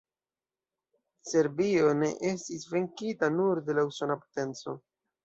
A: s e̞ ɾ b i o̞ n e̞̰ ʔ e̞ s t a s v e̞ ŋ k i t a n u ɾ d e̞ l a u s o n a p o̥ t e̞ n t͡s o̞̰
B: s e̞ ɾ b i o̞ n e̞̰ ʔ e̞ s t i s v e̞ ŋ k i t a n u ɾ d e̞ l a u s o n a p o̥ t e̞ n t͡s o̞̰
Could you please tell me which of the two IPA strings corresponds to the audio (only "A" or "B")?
B